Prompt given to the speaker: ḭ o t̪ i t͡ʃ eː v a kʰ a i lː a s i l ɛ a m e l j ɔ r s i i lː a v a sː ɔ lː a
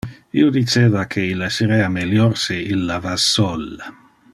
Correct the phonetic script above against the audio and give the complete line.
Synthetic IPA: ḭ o d̪ i t͡ʃ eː v a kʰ e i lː a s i ɾ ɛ a m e l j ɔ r s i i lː a v a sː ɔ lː a